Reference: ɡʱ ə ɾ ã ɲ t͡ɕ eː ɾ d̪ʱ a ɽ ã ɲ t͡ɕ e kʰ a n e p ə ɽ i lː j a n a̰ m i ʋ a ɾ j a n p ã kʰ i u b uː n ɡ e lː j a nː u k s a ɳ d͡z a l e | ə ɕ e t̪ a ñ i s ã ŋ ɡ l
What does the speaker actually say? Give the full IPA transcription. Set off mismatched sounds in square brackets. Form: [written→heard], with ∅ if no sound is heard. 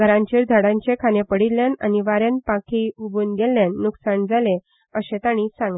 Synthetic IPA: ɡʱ ə ɾ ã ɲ t͡ɕ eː ɾ d̪ʱ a ɽ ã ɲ t͡ɕ e kʰ a n e p ə ɽ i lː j a n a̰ [m→n] i ʋ a ɾ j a n p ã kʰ i u b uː n ɡ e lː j a nː u k s a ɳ d͡z a l e | ə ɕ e t̪ a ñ i s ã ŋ ɡ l